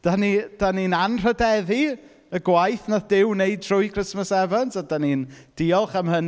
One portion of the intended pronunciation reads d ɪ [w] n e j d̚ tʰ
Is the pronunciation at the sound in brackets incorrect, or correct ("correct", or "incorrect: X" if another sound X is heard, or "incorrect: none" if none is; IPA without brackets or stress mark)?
correct